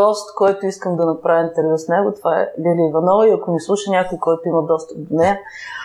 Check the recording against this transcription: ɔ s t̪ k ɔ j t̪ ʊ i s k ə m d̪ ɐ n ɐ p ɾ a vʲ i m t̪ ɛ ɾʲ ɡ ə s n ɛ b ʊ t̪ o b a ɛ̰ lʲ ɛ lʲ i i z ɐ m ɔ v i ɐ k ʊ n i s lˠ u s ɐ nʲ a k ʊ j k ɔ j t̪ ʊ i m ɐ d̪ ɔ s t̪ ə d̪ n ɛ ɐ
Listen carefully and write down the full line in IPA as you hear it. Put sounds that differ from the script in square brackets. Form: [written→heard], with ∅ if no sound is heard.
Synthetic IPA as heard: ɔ s t̪ k ɔ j t̪ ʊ i s k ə m d̪ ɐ n ɐ p ɾ a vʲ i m t̪ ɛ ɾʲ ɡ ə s n ɛ [b→ɡ] ʊ t̪ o [b→v] a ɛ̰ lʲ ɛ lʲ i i [z→v] ɐ [m→n] ɔ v i ɐ k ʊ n i s lˠ u [s→ʃ] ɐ nʲ a k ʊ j k ɔ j t̪ ʊ i m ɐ d̪ ɔ s t̪ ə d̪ n ɛ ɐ